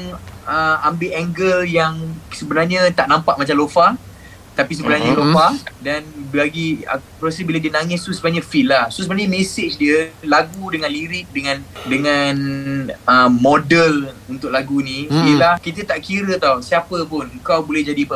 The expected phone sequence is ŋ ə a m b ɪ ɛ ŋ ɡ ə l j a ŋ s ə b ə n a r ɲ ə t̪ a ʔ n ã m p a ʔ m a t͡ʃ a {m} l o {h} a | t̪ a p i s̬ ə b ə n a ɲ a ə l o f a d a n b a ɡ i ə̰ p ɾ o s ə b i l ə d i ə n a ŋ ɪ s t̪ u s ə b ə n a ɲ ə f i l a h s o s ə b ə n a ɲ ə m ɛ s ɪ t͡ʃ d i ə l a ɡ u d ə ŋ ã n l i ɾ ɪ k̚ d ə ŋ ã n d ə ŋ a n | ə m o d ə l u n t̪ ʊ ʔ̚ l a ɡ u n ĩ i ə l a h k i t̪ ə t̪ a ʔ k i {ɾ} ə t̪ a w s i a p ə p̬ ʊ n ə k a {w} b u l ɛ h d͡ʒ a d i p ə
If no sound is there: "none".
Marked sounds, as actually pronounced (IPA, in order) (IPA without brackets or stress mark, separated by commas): m, f, ɾ, w